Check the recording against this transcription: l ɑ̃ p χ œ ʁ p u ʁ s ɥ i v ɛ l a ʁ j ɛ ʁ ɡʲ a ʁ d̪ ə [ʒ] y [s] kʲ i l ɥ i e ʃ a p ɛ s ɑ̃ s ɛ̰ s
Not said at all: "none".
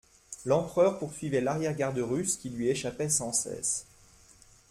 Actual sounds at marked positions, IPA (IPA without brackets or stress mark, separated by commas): ʁ, s